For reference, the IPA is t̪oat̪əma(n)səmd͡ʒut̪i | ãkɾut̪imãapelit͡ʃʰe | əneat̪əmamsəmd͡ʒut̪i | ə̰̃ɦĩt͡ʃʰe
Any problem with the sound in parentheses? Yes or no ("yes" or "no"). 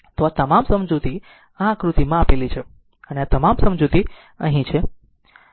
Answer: yes